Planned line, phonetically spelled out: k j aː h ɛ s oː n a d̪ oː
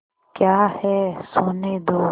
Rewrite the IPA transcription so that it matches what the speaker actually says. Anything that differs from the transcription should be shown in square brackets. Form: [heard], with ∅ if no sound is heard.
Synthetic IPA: k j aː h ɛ s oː n [e] d̪ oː